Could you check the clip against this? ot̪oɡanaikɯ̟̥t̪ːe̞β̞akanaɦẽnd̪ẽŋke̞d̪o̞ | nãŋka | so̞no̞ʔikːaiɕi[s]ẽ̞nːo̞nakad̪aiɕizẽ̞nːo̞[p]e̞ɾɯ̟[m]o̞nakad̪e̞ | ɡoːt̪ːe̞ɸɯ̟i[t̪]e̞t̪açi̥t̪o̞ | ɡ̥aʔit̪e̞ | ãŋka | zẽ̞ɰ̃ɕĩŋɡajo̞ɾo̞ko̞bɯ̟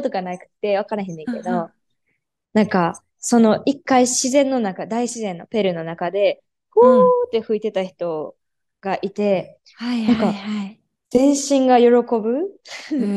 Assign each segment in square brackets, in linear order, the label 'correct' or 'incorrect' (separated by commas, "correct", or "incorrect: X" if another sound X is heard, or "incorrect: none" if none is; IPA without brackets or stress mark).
incorrect: z, correct, incorrect: n, correct